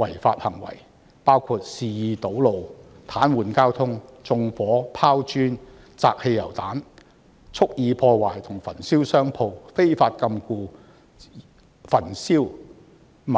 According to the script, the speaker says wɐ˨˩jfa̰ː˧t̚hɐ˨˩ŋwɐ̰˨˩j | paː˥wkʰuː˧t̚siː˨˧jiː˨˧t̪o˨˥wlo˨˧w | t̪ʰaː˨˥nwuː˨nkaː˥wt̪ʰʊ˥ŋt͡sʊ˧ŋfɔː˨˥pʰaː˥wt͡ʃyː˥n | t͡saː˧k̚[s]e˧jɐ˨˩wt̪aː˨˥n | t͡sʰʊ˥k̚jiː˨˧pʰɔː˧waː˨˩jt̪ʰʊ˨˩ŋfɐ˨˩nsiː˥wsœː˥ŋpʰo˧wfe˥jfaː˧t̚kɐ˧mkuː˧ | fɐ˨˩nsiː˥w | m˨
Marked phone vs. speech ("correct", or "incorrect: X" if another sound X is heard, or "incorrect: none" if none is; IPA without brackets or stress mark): incorrect: h